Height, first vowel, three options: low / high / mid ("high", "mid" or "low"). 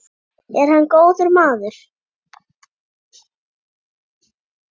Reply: mid